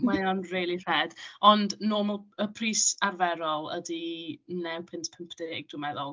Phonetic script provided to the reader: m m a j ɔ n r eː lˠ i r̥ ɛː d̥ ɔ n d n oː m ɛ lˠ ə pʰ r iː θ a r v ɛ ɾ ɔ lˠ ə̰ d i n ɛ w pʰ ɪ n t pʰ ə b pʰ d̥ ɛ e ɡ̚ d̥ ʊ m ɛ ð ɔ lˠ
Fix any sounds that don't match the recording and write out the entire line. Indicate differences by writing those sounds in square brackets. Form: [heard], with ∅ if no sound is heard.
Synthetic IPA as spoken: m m a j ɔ n r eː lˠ i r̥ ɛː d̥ ɔ n d n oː m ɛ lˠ ə pʰ r iː [s] a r v ɛ ɾ ɔ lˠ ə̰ d i n ɛ w pʰ ɪ n t pʰ ə [m] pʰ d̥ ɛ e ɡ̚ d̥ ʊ m ɛ ð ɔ lˠ